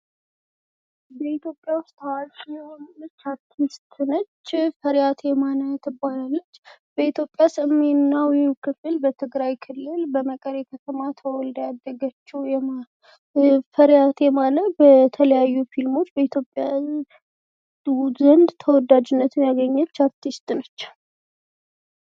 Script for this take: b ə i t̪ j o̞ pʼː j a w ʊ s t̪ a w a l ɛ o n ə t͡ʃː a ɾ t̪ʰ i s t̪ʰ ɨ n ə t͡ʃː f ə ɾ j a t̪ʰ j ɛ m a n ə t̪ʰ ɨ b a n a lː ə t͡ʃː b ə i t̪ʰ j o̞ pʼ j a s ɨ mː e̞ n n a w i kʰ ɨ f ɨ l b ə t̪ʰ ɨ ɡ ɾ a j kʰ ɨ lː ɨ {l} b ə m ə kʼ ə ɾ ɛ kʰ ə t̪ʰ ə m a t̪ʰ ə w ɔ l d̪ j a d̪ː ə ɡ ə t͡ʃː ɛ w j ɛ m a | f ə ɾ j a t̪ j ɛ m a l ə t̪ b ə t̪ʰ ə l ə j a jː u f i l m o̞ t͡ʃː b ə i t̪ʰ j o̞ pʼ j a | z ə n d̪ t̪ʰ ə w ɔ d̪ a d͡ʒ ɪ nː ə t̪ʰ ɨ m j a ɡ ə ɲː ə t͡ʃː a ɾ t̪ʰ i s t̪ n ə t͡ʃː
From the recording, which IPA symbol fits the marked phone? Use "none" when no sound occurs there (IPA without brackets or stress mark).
l